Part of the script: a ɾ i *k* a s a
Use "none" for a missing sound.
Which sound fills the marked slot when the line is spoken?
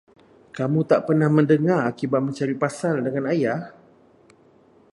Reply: p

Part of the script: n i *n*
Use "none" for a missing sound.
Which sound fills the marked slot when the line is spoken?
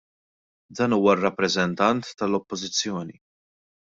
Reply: none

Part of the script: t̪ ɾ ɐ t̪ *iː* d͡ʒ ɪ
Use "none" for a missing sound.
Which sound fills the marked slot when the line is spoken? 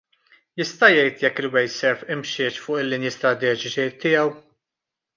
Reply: ɛː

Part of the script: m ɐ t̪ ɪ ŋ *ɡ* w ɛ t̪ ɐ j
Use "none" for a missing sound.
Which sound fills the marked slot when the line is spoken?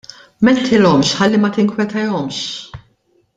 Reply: k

